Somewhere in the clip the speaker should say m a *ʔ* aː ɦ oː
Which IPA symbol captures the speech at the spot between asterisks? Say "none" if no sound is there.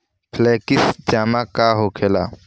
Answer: k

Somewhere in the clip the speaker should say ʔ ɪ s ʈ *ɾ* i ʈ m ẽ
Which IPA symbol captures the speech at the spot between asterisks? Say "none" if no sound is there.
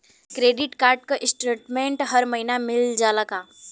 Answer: ɾ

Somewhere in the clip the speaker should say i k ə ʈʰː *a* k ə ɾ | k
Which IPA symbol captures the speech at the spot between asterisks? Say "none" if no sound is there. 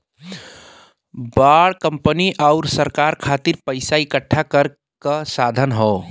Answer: a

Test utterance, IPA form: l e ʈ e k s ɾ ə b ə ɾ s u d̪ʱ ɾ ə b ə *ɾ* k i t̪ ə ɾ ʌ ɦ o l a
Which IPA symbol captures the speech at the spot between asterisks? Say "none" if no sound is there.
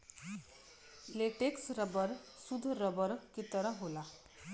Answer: ɾ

